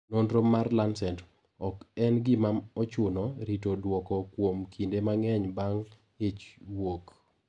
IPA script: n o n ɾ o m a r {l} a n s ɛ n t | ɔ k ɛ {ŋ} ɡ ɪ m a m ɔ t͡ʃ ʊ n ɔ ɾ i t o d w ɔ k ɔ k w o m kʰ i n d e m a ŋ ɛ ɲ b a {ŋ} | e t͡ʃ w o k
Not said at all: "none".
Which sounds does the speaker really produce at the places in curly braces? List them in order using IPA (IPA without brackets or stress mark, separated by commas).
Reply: l, n, ŋ